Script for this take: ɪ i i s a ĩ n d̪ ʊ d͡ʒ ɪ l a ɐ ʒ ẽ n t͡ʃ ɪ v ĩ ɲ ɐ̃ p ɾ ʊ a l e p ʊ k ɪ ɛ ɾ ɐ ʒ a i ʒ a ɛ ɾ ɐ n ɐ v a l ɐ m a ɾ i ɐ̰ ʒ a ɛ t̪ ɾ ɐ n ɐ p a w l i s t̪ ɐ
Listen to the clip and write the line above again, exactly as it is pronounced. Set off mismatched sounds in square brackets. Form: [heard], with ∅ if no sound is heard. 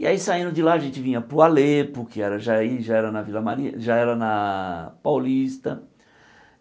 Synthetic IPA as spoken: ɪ [a] i s a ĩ n d̪ ʊ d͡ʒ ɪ l a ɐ ʒ ẽ n t͡ʃ ɪ v ĩ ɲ [ɐ] p ɾ ʊ a l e p ʊ k ɪ ɛ ɾ ɐ ʒ a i ʒ a ɛ ɾ ɐ n ɐ v [i] l ɐ m a ɾ i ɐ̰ ʒ a ɛ [∅] ɾ ɐ n ɐ p a w l i s t̪ ɐ